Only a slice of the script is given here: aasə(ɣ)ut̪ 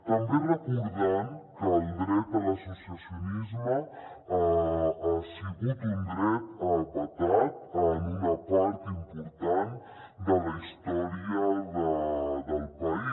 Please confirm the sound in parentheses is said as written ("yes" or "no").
yes